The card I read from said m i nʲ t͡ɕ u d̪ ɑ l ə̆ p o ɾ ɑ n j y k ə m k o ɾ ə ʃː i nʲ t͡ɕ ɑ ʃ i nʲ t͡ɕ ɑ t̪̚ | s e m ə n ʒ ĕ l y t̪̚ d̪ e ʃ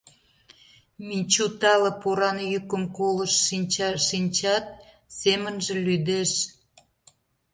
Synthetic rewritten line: m i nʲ t͡ɕ u t̪ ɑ l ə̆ p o ɾ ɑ n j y k ə m k o l ə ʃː i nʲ t͡ɕ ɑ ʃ i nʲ t͡ɕ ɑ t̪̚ | s e m ə n ʒ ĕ l y d̪ e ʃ